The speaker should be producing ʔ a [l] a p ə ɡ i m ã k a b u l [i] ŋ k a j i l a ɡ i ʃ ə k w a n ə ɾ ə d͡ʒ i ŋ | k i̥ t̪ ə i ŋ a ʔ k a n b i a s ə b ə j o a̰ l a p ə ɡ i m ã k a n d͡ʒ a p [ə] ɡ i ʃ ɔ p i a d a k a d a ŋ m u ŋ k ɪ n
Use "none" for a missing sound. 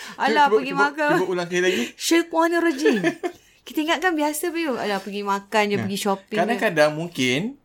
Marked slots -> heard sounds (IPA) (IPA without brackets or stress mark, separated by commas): l, a, ə